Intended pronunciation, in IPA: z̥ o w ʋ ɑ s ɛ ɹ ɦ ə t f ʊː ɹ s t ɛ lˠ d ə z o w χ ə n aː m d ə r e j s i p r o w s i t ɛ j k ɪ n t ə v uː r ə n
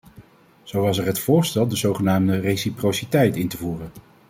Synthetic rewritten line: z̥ o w ʋ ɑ s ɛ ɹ ɦ ə t f ʊː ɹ s t ɛ lˠ d ə z o w χ ə n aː m d ə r e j s i p r o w s i t ɛ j t ɪ n t ə v uː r ə n